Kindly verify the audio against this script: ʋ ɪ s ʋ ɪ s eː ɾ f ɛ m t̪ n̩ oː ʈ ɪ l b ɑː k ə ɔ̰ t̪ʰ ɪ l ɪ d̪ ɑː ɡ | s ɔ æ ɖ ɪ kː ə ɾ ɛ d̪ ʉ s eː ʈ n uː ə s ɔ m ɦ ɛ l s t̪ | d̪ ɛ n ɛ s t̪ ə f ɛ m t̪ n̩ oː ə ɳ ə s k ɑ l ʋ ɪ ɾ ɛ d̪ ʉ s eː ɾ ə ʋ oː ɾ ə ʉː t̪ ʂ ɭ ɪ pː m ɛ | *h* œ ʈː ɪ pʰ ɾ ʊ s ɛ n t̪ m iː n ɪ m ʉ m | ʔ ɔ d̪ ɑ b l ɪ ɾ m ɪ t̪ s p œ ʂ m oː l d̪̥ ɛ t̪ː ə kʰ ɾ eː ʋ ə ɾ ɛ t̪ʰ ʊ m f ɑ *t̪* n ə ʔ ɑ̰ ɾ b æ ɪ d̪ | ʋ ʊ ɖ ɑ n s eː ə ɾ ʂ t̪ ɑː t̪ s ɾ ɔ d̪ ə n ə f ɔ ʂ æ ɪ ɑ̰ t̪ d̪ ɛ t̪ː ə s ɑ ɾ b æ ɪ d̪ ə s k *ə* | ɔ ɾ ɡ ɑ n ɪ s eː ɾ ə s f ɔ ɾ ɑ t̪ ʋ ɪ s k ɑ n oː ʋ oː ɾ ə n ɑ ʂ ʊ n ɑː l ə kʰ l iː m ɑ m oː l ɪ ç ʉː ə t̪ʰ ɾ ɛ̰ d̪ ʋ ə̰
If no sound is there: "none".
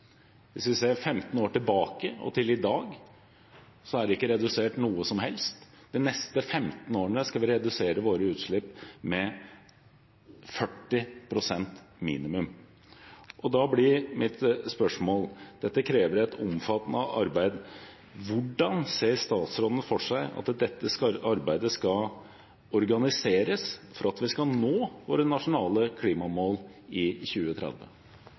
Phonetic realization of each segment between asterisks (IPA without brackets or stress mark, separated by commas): f, t̪, ɑ